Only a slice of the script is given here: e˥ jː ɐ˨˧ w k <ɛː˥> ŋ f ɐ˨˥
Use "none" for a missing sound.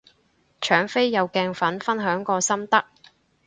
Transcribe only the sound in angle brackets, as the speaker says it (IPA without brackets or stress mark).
ɛː˧